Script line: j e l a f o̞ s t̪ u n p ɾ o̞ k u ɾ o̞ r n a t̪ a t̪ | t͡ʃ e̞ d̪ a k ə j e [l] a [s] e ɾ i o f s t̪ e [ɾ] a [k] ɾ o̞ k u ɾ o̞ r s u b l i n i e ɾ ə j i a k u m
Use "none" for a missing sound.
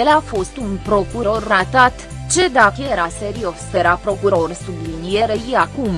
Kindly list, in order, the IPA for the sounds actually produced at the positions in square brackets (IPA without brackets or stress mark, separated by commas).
ɾ, s, ɾ, p